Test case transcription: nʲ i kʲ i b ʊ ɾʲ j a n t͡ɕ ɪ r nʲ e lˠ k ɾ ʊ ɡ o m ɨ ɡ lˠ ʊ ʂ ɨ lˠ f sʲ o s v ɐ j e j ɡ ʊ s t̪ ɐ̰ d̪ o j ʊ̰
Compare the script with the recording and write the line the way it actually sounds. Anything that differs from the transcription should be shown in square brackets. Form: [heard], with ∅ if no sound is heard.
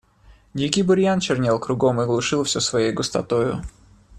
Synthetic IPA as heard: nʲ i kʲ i b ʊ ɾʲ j a n t͡ɕ ɪ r nʲ e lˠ k ɾ ʊ ɡ o m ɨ ɡ lˠ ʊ ʂ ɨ lˠ f sʲ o s v ɐ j e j ɡ ʊ s t̪ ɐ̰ [t̪] o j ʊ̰

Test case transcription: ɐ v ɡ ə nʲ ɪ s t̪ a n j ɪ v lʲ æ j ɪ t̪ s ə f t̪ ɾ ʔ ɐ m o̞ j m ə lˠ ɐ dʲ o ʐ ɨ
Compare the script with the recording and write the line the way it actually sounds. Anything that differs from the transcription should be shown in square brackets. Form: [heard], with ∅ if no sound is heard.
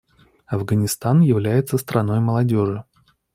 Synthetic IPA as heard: ɐ v ɡ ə nʲ ɪ s t̪ a n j ɪ v lʲ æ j ɪ t̪ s ə [s] t̪ ɾ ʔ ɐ [n] o̞ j m ə lˠ ɐ dʲ o ʐ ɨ

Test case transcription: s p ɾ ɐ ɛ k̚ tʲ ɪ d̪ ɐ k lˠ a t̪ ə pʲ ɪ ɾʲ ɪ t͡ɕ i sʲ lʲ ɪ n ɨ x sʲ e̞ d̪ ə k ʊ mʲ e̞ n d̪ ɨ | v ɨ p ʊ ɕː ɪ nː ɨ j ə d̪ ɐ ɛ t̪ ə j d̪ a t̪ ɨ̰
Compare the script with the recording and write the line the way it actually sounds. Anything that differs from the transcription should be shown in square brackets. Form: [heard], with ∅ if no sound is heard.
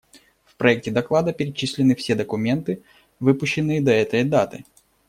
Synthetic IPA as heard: [f] p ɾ ɐ ɛ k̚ tʲ ɪ d̪ ɐ k lˠ a [d̪] ə pʲ ɪ ɾʲ ɪ t͡ɕ i sʲ lʲ ɪ n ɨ [f] sʲ e̞ d̪ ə k ʊ mʲ e̞ n [t̪] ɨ | v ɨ p ʊ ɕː ɪ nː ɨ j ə d̪ ɐ ɛ t̪ ə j d̪ a t̪ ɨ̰

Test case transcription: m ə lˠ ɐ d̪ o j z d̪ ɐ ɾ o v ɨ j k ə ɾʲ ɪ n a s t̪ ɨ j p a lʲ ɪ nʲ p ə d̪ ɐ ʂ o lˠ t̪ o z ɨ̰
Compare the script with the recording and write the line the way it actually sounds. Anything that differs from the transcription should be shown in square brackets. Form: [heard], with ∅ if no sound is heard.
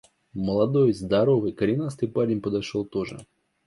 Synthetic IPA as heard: m ə lˠ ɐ d̪ o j z d̪ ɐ ɾ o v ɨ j k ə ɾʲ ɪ n a s t̪ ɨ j p a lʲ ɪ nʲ p ə d̪ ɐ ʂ o lˠ t̪ o [ʐ] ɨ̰

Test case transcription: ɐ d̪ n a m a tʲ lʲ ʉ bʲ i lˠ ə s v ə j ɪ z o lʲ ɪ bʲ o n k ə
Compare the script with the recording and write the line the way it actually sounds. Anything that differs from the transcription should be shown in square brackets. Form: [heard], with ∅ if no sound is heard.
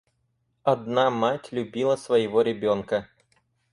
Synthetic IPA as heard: ɐ d̪ n a m a tʲ lʲ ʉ bʲ i lˠ ə s v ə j ɪ [v] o [ɾʲ] ɪ bʲ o n k ə

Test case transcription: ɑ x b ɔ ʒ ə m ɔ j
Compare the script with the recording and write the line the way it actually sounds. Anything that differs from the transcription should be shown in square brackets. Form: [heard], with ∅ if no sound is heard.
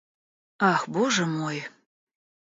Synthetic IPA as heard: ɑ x b [o] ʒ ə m [o] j

